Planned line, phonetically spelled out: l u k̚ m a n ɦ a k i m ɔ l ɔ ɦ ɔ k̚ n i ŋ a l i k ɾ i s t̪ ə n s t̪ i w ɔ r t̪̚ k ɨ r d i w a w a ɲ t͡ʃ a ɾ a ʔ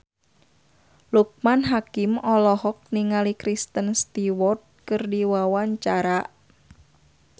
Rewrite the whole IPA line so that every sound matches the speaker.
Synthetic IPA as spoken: l u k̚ m a n ɦ a k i m ɔ l ɔ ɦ ɔ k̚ n i ŋ a l i k ɾ i s t̪ ə n s t̪ i w ɔ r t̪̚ k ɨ r d i w a w a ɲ t͡ʃ a ɾ a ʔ